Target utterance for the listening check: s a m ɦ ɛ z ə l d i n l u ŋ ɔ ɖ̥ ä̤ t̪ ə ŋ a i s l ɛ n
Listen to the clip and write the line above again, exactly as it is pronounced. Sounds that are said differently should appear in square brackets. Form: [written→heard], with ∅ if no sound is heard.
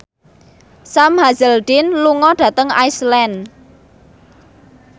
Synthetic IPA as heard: s a m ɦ [ɛ→a] z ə l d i n l u ŋ ɔ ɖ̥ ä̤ t̪ ə ŋ a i s l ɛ n